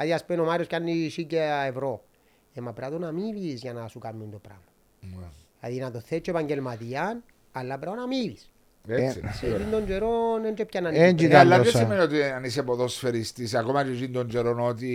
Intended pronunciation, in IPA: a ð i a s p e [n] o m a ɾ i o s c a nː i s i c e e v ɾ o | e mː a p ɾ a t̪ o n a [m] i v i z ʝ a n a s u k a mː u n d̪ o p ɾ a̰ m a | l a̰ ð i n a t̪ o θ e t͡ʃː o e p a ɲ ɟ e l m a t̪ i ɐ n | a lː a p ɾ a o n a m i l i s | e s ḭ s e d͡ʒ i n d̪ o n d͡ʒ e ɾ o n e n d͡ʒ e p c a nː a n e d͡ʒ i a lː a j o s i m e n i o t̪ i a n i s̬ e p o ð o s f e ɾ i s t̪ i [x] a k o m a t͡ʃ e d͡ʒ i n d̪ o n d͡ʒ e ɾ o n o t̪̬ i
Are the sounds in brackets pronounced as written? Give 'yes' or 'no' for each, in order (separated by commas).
yes, yes, no